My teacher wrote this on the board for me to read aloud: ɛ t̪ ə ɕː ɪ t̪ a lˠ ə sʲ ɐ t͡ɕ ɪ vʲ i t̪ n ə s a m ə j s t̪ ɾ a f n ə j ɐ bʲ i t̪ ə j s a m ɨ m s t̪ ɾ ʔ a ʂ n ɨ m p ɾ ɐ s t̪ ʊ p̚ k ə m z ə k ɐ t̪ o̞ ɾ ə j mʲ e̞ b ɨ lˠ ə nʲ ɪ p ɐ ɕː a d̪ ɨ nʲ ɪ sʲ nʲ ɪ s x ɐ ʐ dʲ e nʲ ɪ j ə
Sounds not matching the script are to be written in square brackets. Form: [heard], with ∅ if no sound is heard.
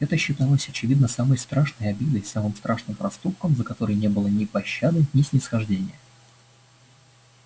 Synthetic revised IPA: ɛ t̪ ə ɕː ɪ t̪ a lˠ ə sʲ ɐ t͡ɕ ɪ vʲ i [d̪] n ə s a m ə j s t̪ ɾ a [ʂ] n ə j ɐ bʲ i [d̪] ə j s a m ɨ m s t̪ ɾ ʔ a ʂ n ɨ m p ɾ ɐ s t̪ [u] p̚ k ə m z ə k ɐ t̪ o̞ ɾ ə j [nʲ] e̞ b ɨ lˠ ə nʲ ɪ p ɐ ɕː a d̪ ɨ nʲ ɪ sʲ nʲ ɪ s x ɐ ʐ dʲ e nʲ ɪ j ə